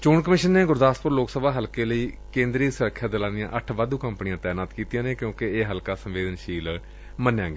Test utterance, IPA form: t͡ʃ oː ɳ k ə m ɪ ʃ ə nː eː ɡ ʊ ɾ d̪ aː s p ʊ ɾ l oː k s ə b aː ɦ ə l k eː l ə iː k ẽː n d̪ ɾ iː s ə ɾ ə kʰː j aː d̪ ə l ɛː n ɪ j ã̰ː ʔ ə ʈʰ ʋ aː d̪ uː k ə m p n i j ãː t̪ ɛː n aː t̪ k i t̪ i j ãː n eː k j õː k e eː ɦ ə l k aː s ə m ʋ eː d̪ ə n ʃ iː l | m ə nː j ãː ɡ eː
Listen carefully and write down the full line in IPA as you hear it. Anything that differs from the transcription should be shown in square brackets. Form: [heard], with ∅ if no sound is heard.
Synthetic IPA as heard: t͡ʃ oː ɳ k ə m ɪ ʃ ə nː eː ɡ ʊ ɾ d̪ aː s p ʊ ɾ l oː k s ə b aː ɦ ə l k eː l ə iː k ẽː n d̪ ɾ iː s ə ɾ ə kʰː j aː d̪ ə l [aː] n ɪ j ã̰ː ʔ ə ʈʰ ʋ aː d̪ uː k ə m p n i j ãː t̪ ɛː n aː t̪ k [iː] t̪ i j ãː n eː k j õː k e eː ɦ ə l k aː s ə m ʋ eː d̪ ə n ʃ iː l | m ə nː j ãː ɡ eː